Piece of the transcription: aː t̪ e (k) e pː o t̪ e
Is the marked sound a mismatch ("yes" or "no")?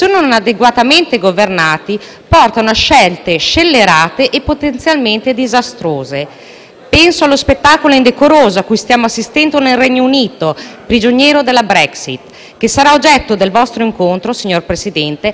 yes